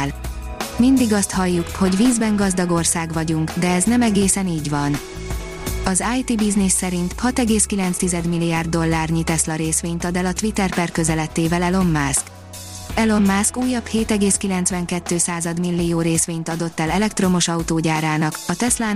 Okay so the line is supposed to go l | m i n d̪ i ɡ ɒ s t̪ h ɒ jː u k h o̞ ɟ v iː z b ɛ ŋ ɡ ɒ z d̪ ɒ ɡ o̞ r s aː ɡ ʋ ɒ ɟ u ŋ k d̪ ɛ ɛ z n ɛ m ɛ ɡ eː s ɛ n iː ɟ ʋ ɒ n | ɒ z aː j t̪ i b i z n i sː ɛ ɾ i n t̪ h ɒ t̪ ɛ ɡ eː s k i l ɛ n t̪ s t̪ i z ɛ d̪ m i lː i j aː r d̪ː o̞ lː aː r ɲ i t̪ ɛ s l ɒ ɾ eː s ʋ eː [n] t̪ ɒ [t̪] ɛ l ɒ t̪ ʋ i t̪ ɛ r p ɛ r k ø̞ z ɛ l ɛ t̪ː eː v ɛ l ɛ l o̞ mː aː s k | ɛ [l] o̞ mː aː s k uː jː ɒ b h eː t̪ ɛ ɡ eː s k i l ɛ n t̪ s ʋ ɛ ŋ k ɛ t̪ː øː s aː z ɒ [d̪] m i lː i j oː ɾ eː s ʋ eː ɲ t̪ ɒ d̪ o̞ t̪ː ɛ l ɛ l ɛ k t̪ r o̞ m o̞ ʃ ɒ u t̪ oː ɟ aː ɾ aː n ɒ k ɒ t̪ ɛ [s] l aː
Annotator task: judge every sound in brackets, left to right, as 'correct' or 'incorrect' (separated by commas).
incorrect, incorrect, correct, correct, correct